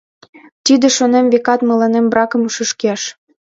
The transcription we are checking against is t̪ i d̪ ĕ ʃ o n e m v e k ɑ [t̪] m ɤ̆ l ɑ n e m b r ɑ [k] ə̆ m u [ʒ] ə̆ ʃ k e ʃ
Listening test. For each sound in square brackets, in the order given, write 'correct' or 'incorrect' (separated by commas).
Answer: correct, correct, incorrect